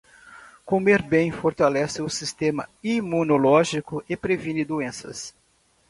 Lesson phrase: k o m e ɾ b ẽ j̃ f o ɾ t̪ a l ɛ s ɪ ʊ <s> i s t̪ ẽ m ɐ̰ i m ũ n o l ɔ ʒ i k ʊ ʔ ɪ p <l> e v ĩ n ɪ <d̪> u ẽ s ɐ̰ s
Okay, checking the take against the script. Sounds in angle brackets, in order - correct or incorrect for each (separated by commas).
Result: correct, incorrect, correct